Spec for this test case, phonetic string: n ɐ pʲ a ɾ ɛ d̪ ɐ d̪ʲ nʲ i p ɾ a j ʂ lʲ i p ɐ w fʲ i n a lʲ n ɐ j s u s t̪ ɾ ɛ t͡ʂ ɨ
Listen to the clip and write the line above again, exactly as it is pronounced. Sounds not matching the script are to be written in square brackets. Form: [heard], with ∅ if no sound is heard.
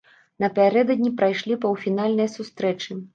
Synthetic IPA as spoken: n ɐ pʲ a ɾ ɛ d̪ ɐ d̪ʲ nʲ i p ɾ a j ʂ lʲ i p ɐ w fʲ i n a lʲ n ɐ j s u s t̪ ɾ ɛ t͡ʂ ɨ